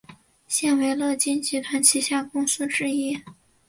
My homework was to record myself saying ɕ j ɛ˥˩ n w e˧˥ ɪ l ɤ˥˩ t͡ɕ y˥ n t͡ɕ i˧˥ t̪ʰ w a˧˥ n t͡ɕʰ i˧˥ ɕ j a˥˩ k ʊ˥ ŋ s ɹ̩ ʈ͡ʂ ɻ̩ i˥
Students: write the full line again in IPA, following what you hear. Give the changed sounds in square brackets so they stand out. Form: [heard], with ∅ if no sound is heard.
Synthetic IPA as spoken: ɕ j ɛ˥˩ n w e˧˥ ɪ l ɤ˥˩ t͡ɕ [i˥] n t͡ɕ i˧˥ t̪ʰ w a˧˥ n t͡ɕʰ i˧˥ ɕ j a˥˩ k ʊ˥ ŋ s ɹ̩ ʈ͡ʂ ɻ̩ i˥